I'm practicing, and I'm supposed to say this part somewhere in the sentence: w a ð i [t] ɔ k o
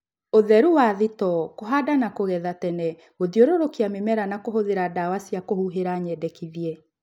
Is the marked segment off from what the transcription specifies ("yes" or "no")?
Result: no